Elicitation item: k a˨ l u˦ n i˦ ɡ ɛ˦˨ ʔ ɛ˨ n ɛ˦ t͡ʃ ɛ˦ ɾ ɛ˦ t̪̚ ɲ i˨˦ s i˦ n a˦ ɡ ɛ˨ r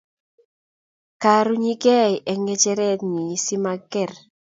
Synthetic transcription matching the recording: k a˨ ɾ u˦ ɲ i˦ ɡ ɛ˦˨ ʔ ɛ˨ ŋ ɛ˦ t͡ʃ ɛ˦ ɾ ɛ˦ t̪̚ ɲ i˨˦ s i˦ m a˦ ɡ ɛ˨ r